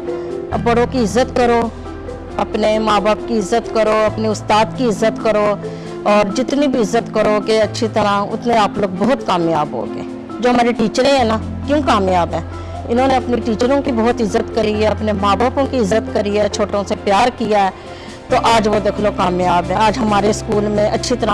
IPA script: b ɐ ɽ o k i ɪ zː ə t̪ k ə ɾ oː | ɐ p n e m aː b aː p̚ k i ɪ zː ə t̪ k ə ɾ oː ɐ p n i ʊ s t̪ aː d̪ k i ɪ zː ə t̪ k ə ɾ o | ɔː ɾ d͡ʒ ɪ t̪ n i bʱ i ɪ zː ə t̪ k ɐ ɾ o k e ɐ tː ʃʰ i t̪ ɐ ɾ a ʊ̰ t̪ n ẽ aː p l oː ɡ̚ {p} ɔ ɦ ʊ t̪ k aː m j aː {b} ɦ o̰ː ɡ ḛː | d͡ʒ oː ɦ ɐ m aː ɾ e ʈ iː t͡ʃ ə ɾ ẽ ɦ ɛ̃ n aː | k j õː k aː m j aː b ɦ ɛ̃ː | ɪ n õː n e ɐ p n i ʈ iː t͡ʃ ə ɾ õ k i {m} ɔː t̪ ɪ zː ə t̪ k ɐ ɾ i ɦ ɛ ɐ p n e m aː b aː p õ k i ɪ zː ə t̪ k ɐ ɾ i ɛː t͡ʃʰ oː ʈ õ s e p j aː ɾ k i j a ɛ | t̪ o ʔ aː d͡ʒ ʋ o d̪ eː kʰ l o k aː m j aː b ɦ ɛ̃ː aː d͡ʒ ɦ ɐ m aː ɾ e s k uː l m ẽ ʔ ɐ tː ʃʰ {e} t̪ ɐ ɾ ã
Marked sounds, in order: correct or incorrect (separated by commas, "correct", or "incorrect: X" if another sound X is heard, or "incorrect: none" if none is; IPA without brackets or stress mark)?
incorrect: b, correct, incorrect: b, incorrect: i